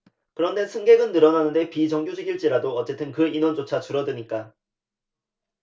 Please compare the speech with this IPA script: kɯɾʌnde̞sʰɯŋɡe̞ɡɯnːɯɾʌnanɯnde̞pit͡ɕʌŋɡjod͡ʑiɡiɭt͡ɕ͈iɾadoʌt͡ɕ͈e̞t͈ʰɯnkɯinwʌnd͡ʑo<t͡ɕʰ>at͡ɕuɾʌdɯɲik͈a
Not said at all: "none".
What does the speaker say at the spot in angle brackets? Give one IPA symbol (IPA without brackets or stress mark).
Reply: t͡ɕʰ